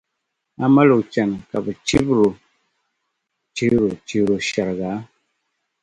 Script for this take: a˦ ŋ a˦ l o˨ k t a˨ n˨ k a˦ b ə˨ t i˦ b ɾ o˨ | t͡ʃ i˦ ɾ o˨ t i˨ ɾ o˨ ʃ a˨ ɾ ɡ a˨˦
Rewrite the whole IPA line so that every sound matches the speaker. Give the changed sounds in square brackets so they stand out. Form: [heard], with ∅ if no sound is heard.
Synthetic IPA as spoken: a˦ [m] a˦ l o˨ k [t͡ʃ] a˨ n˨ k [a˨] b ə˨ [t͡ʃ] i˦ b ɾ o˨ | t͡ʃ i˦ ɾ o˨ [t͡ʃ] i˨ ɾ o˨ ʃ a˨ ɾ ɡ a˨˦